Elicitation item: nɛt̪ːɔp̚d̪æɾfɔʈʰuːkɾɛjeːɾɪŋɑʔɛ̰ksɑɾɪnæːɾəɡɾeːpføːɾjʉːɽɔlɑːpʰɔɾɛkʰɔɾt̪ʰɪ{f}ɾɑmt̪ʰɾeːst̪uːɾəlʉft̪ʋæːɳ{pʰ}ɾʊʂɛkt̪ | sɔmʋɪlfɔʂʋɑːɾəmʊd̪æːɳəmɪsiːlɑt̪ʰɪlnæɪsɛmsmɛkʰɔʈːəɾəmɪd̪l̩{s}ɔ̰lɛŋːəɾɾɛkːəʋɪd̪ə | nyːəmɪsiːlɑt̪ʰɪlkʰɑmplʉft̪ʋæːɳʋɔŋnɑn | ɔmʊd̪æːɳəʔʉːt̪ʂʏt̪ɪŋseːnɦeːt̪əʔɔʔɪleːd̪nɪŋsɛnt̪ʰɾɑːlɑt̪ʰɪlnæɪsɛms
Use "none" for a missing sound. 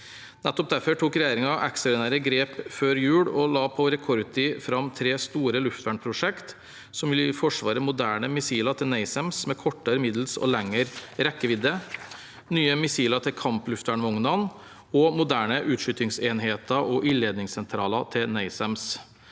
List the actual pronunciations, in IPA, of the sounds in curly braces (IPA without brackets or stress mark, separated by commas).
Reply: f, pʰ, s